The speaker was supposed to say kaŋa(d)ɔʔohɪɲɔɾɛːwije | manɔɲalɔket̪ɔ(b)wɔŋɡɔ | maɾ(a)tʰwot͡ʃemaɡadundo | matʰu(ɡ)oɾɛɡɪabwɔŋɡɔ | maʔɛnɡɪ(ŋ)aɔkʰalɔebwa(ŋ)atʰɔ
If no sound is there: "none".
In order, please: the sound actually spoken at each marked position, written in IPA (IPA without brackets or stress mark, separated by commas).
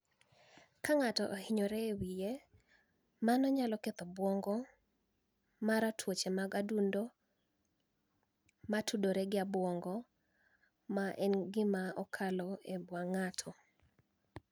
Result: t, b, a, d, m, ŋ